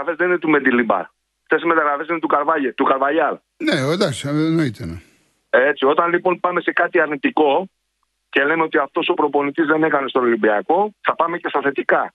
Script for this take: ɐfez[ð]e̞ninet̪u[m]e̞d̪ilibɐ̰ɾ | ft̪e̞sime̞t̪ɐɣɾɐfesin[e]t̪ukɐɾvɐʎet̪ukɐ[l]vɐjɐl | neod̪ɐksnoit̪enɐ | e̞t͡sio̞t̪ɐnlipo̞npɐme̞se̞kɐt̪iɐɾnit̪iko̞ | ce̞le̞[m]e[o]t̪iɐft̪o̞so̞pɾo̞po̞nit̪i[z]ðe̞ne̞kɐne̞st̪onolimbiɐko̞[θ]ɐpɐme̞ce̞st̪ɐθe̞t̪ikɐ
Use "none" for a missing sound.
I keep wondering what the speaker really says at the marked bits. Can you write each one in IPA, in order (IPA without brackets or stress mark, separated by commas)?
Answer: ð, m, e, ɾ, m, o, z, θ